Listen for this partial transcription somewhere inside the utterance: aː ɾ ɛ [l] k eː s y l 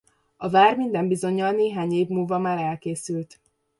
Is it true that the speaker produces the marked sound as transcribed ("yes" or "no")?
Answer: yes